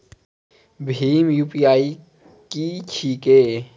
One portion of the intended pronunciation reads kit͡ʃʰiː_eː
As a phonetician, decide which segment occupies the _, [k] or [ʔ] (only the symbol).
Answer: k